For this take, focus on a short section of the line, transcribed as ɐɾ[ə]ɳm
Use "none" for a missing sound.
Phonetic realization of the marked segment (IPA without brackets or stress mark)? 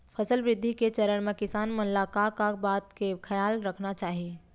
ə